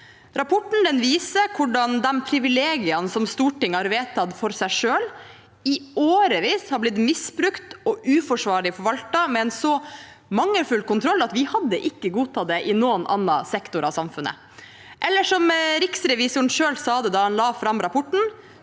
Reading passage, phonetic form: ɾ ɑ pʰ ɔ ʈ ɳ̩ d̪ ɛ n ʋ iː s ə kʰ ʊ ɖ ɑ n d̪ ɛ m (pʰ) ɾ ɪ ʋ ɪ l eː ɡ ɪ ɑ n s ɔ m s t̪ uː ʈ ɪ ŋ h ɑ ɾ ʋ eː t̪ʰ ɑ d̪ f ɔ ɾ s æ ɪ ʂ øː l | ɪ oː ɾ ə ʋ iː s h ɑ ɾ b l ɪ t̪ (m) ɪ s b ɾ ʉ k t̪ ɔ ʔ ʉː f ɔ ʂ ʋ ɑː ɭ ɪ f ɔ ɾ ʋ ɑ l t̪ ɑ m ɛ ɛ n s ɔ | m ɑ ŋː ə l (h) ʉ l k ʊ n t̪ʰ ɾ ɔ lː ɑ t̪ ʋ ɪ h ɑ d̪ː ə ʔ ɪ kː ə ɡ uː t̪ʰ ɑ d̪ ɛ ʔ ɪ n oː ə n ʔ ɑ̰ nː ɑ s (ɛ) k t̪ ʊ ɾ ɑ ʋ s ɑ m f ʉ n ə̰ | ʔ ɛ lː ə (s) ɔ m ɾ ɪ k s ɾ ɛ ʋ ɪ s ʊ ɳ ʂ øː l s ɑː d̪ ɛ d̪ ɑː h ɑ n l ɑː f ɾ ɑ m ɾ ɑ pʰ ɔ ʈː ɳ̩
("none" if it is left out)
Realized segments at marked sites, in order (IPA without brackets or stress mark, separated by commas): pʰ, m, f, ɛ, ʂ